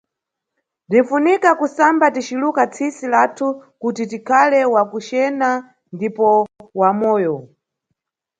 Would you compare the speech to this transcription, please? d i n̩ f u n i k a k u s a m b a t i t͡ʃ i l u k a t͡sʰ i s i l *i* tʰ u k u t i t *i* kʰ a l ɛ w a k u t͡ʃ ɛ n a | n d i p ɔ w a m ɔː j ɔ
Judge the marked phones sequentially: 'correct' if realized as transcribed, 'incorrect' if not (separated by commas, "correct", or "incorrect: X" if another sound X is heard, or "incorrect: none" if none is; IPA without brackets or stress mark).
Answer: incorrect: a, correct